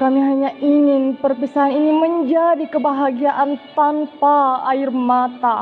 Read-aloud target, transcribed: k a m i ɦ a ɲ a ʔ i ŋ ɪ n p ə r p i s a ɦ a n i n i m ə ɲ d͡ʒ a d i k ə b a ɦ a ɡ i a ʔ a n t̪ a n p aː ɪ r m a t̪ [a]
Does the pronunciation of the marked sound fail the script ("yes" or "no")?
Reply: no